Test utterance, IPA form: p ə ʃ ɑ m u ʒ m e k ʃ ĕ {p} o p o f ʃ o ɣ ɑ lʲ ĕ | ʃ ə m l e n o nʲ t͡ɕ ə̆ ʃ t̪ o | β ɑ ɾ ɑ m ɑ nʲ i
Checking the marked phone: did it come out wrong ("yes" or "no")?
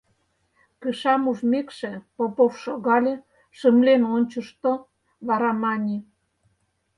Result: no